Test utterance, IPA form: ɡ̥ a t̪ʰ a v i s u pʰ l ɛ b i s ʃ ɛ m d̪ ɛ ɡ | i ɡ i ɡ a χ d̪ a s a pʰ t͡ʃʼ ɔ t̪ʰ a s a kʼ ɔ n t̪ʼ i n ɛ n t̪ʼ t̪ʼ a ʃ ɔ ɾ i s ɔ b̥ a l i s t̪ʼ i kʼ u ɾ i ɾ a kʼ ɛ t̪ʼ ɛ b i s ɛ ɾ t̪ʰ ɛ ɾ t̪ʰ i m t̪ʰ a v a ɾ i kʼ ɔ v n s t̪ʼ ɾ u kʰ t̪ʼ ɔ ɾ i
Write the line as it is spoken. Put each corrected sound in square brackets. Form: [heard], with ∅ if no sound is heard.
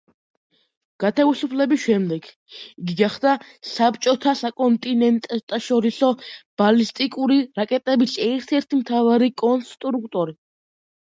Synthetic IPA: ɡ̥ a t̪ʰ a v i s u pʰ l ɛ b i s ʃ ɛ m d̪ ɛ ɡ | i ɡ i ɡ a χ d̪ a s a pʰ t͡ʃʼ ɔ t̪ʰ a s a kʼ ɔ n t̪ʼ i n ɛ n t̪ʼ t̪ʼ a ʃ ɔ ɾ i s ɔ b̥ a l i s t̪ʼ i kʼ u ɾ i ɾ a kʼ ɛ t̪ʼ ɛ b i s ɛ ɾ t̪ʰ ɛ ɾ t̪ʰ i m t̪ʰ a v a ɾ i kʼ ɔ [∅] n s t̪ʼ ɾ u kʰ t̪ʼ ɔ ɾ i